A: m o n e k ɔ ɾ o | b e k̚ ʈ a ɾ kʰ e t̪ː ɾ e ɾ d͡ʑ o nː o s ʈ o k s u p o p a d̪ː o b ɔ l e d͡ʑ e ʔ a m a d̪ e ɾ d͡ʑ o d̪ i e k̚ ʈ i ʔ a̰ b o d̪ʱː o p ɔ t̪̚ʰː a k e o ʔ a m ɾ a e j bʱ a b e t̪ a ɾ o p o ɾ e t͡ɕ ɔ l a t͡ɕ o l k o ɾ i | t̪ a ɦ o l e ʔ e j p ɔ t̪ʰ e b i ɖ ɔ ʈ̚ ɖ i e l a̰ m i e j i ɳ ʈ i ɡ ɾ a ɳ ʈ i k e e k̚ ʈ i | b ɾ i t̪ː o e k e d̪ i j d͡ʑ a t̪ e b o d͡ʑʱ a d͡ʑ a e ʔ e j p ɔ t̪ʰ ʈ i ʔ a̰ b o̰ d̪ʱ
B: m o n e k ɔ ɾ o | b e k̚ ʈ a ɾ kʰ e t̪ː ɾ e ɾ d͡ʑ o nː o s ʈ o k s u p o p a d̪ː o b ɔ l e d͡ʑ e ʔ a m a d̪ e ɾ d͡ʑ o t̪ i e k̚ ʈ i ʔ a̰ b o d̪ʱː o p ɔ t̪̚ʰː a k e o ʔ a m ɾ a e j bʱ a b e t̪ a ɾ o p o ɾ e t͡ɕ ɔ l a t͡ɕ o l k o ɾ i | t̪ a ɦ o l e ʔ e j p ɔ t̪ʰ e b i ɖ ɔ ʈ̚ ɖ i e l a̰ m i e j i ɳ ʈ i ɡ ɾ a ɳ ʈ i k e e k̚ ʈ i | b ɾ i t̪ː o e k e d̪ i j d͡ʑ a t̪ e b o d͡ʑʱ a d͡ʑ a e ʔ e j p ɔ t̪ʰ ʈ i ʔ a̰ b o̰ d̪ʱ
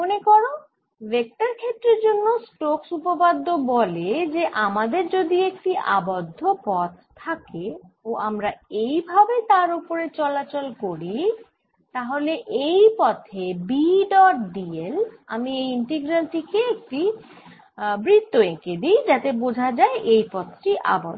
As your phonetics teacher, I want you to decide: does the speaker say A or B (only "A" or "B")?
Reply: A